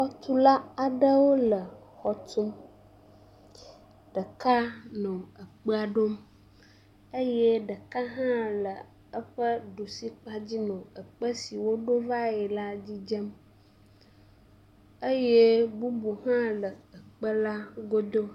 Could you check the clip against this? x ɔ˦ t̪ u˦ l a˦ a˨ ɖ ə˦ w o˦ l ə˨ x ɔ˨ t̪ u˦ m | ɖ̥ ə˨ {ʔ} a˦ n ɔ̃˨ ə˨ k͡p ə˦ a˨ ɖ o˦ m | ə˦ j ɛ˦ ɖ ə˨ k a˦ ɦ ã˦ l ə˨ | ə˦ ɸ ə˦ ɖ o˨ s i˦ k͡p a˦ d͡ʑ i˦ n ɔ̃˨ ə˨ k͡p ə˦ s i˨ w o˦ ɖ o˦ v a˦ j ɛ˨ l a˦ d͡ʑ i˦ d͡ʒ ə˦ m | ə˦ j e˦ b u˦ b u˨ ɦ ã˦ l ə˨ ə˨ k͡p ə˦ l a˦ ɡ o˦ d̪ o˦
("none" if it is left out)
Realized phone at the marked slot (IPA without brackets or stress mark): k